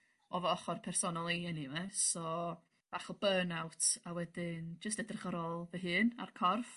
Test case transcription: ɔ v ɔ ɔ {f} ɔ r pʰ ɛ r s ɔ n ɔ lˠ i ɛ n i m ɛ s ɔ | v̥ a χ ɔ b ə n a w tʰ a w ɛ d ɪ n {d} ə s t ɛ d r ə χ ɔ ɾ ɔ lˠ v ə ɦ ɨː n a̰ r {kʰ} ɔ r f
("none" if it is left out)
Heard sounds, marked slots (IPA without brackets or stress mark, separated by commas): χ, d͡ʒ, kʰ